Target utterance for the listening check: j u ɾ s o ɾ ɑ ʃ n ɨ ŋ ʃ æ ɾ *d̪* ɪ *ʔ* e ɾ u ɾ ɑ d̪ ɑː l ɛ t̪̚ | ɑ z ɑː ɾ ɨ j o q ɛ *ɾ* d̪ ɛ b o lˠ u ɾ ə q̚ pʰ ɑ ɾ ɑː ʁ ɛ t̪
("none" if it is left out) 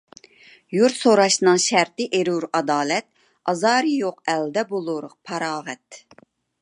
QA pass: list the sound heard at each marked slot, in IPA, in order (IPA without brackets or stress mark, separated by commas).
t̪, ʔ, l